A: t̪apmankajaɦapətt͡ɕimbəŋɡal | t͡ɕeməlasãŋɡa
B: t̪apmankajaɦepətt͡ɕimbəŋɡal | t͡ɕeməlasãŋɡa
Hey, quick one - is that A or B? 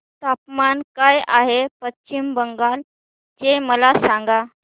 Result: B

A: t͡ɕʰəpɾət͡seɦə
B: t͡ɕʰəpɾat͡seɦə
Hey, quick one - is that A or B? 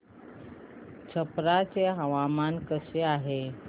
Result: B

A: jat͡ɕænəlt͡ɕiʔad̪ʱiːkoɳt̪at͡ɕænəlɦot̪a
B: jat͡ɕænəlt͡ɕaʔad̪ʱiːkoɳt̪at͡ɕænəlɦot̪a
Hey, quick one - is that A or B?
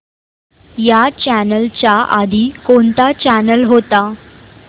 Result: B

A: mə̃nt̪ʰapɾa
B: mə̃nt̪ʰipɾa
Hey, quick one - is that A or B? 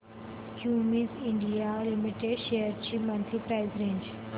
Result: B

